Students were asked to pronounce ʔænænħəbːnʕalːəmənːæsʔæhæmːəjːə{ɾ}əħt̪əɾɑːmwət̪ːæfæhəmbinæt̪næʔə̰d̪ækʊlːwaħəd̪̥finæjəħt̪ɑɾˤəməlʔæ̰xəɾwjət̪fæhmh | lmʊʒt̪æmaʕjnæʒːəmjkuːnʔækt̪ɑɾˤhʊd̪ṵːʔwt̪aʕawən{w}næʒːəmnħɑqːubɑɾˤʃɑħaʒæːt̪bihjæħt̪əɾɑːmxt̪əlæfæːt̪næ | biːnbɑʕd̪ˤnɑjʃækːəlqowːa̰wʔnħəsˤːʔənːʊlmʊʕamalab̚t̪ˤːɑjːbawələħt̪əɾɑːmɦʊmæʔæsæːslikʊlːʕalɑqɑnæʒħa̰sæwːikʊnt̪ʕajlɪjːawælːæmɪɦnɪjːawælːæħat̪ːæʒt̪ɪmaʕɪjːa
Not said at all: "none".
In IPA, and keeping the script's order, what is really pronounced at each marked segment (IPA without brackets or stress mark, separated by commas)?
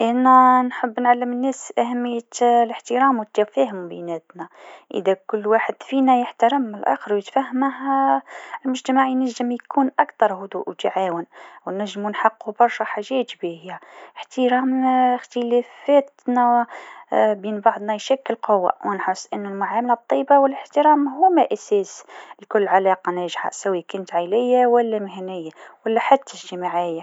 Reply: l, w